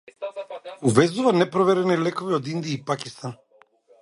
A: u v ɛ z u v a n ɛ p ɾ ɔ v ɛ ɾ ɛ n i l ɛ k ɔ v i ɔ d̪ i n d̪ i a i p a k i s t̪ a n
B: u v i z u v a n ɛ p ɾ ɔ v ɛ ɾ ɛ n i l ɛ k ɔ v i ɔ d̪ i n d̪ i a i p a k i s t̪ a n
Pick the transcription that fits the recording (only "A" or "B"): A